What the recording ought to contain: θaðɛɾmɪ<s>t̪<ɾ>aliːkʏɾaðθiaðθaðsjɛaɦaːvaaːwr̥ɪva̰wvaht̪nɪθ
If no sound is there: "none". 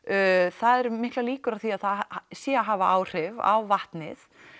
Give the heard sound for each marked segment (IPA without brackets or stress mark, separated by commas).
h, l